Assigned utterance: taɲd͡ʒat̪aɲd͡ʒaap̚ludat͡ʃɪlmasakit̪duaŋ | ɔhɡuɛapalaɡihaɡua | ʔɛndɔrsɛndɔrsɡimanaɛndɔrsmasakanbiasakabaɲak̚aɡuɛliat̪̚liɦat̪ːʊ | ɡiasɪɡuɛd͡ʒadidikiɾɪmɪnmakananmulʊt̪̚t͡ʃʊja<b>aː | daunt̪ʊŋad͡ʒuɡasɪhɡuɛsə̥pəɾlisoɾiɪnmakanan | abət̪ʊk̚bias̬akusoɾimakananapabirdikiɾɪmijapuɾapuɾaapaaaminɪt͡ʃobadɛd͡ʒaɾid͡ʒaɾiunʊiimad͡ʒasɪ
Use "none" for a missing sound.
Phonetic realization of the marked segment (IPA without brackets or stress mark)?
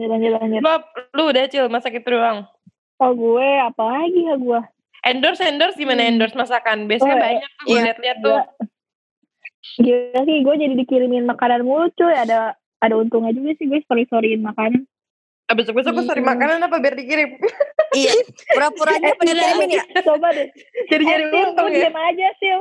d